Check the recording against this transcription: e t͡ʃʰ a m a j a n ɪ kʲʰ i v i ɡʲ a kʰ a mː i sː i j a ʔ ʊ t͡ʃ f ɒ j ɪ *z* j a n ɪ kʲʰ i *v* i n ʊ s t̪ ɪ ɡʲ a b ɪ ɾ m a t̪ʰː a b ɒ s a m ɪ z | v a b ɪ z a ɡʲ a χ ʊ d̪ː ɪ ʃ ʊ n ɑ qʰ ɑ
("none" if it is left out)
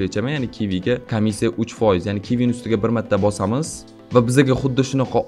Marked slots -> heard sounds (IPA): z, v

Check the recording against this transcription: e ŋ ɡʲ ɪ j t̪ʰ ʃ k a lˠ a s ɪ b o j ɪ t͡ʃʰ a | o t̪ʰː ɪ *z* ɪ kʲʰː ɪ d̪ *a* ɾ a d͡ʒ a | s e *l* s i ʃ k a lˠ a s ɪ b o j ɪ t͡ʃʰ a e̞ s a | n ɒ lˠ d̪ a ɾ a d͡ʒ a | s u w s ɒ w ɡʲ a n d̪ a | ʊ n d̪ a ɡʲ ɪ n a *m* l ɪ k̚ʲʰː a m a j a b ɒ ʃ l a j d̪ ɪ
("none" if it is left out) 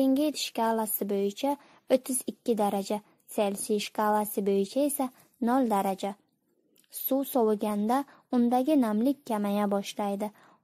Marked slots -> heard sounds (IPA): z, a, l, m

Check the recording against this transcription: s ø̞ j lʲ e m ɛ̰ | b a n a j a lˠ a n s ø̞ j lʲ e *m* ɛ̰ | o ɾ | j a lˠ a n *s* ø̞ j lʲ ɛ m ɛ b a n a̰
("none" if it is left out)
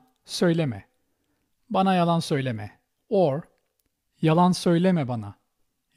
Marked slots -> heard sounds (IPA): m, s

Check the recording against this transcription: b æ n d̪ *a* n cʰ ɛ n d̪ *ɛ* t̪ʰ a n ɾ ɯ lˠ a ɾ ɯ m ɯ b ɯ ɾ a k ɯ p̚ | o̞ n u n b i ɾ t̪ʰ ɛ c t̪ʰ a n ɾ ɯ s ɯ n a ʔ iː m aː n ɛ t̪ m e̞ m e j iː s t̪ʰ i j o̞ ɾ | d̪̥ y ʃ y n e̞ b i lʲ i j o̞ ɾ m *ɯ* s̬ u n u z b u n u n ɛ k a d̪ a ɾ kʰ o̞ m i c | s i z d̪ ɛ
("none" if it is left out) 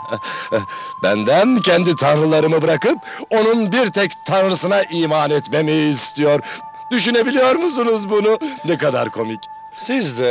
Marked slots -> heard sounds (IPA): æ, i, u

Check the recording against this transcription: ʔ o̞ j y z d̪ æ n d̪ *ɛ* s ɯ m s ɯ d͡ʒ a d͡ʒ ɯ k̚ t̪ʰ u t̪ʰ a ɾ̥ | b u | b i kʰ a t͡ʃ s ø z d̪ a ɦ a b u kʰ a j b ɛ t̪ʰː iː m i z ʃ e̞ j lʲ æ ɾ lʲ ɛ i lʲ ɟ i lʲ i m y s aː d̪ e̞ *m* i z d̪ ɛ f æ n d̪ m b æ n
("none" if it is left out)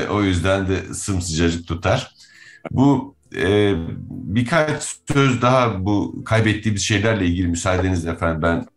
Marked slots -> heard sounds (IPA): ɛ, n

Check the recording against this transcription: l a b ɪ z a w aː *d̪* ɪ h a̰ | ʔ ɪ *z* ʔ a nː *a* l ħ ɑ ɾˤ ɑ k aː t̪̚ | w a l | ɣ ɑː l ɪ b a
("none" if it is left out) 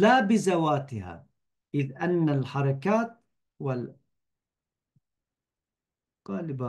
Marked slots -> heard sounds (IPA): t̪, ð, a

